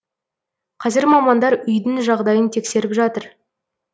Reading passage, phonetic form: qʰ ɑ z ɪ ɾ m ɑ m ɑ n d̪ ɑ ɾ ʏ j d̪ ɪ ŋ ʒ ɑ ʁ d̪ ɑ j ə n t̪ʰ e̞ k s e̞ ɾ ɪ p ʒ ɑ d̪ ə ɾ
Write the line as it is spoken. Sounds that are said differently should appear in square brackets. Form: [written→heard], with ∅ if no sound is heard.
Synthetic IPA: qʰ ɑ z ɪ ɾ m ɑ m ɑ n d̪ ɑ ɾ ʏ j d̪ ɪ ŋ ʒ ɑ ʁ d̪ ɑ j ə n t̪ʰ e̞ k s e̞ ɾ ɪ p ʒ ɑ [d̪→t̪] ə ɾ